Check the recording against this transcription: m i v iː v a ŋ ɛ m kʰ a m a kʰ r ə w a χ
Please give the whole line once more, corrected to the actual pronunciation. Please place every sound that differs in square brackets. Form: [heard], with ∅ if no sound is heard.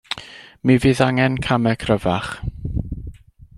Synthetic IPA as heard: m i v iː [ð] a ŋ ɛ [n] kʰ a m [ɛ] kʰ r ə [v] a χ